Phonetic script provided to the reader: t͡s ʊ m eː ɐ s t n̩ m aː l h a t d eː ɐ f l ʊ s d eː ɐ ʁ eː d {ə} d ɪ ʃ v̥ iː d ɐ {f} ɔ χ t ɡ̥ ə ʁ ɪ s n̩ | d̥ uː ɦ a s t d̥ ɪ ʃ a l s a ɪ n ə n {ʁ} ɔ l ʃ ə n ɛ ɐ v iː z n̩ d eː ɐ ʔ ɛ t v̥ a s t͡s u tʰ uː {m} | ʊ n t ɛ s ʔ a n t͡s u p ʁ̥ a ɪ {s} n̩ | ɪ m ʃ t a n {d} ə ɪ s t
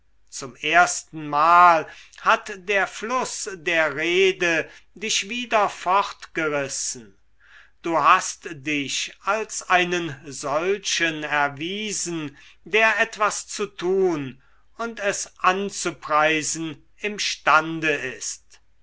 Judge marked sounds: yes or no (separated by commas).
yes, yes, no, no, no, yes